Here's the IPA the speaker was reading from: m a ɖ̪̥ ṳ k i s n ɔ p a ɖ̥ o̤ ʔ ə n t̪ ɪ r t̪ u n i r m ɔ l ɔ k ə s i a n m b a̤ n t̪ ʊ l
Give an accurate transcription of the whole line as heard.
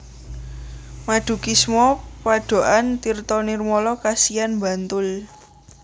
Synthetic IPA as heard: m a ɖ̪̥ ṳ k i s m ɔ p a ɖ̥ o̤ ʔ a n t̪ i r t̪ ɔ n i r m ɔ l ɔ k a s i a n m b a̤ n t̪ ʊ l